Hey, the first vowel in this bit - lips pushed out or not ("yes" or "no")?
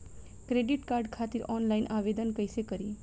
no